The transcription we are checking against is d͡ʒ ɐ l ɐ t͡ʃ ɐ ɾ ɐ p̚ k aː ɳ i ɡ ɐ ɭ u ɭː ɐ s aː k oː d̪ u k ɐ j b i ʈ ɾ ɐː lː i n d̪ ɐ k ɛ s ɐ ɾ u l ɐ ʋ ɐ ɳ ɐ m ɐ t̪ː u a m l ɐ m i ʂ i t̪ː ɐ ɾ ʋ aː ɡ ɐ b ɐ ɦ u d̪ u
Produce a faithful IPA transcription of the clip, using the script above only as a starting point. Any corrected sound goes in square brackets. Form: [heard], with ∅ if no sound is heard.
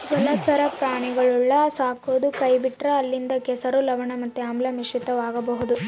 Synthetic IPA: d͡ʒ ɐ l ɐ t͡ʃ ɐ ɾ ɐ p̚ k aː ɳ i ɡ ɐ ɭ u ɭː ɐ s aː k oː d̪ u k ɐ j b i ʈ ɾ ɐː lː i n d̪ ɐ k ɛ s ɐ ɾ u l ɐ ʋ ɐ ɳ ɐ m ɐ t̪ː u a m l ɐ m i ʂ i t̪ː ɐ [∅] ʋ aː ɡ ɐ b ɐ ɦ u d̪ u